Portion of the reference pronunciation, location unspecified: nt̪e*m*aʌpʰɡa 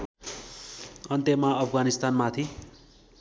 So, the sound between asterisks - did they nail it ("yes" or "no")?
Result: yes